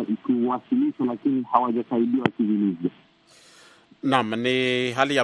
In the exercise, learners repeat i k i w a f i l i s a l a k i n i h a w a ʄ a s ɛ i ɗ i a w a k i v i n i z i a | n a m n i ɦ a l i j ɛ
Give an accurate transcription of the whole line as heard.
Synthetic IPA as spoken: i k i w a s i l i ʃ a l a k i n i h a w a ʄ a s a i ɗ i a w a k i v i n i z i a | n a m n i ɦ a l i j a